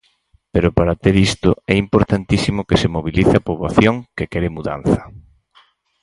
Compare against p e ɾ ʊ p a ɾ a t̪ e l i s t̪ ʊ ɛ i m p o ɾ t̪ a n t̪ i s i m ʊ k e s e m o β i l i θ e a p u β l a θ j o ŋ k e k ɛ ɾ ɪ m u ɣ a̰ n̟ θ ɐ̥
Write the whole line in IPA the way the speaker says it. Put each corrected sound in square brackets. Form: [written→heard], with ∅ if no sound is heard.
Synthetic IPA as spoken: p e ɾ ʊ p a ɾ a t̪ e [l→ɾ] i s t̪ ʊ ɛ i m p o ɾ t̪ a n t̪ i s i m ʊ k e s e m o β i l i θ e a p [u→o] β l a θ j o ŋ k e k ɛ ɾ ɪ m u [ɣ→ð] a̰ n̟ θ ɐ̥